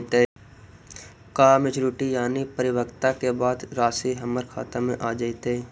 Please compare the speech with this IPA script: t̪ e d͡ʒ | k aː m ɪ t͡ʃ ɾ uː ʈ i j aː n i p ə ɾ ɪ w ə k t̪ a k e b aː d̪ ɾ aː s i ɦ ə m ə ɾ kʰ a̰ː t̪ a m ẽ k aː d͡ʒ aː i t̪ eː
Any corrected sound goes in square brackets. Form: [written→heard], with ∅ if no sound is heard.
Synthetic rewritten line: t̪ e [d͡ʒ→∅] | k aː m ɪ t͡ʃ ɾ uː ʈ i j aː n i p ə ɾ ɪ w ə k t̪ a k e b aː d̪ ɾ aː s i ɦ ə m ə ɾ kʰ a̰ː t̪ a m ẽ [k→ʔ] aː d͡ʒ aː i t̪ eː